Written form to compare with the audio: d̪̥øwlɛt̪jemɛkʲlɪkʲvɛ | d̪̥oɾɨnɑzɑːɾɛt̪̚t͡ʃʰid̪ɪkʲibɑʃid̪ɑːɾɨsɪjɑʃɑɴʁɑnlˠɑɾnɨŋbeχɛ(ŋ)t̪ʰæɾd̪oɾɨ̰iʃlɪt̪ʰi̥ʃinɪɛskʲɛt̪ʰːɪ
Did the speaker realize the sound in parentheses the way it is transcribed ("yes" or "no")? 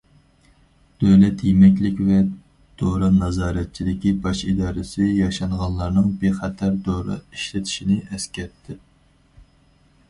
no